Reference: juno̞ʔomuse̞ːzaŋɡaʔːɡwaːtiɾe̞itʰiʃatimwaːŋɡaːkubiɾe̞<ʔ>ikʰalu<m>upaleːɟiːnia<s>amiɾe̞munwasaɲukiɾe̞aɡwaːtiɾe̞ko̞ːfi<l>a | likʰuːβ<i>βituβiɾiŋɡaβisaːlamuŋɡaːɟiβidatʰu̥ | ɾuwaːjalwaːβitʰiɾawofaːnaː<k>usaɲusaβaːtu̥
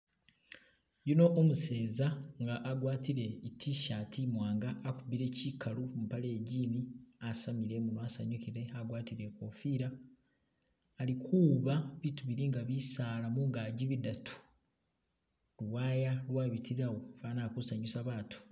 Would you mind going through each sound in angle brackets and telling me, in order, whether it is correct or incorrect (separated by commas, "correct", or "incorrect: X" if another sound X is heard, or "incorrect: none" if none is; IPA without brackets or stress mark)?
incorrect: c, correct, correct, incorrect: ɾ, incorrect: a, correct